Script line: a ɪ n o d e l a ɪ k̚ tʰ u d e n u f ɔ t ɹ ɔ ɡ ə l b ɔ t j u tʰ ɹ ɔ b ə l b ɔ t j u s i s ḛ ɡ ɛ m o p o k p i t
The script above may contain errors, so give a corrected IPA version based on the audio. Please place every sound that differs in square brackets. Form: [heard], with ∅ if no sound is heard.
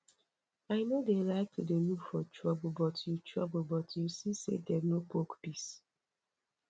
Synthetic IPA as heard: a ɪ n o d e l a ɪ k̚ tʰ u d e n u f ɔ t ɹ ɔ [b] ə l b ɔ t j u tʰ ɹ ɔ b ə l b ɔ t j u s i s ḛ [d] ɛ [n] o p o k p i [s]